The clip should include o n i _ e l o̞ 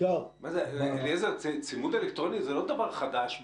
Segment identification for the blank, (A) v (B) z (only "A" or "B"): B